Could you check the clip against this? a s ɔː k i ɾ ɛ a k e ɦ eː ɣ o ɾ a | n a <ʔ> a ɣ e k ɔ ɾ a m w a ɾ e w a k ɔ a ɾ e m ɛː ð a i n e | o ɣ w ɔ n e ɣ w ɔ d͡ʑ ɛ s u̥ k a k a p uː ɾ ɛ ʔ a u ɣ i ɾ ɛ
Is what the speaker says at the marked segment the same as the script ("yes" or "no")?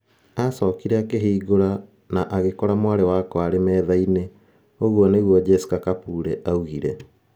yes